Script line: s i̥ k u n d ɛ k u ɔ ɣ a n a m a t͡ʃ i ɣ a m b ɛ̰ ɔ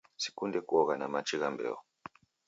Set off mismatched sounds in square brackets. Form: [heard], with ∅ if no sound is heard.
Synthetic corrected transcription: s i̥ k u n d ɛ k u ɔ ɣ a n a m a t͡ʃ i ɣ a m b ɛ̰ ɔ